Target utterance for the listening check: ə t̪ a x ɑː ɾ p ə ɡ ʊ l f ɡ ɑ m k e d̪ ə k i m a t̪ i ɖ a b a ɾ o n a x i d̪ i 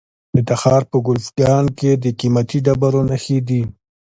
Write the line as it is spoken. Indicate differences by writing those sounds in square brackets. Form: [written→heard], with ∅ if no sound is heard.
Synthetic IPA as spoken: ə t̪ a x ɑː ɾ p ə ɡ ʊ l f ɡ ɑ [m→n] k e d̪ ə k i m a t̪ i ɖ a b a ɾ o n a x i d̪ i